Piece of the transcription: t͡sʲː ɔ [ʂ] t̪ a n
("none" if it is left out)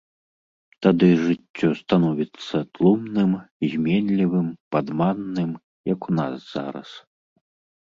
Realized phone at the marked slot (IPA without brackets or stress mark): s